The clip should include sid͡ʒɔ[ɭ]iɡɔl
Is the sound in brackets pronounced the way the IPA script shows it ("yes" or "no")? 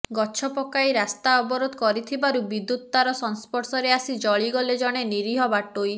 yes